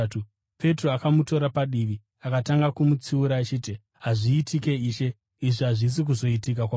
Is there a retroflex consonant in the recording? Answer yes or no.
yes